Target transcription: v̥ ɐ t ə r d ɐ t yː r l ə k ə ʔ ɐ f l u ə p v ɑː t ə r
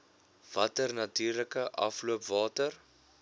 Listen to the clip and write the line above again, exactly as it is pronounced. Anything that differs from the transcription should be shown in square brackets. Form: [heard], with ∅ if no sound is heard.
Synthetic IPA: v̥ ɐ t ə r [n] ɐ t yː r l ə k ə ʔ ɐ f l u ə p v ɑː t ə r